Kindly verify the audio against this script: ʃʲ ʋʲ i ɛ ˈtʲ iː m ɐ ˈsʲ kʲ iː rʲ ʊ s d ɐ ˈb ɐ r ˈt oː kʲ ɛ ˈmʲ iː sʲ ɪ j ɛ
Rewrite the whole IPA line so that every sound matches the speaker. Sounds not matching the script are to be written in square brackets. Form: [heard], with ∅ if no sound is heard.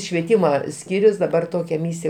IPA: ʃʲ ʋʲ i ɛ ˈtʲ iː m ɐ ˈsʲ kʲ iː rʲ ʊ s d ɐ ˈb ɐ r ˈt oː kʲ ɛ ˈmʲ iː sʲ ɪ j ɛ